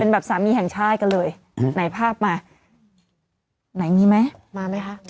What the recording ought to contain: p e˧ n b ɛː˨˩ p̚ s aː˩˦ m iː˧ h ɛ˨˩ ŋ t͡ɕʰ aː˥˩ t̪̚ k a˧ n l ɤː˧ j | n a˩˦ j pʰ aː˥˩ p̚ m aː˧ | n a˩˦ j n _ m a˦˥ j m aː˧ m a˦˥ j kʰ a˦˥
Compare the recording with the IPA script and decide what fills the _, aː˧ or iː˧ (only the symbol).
iː˧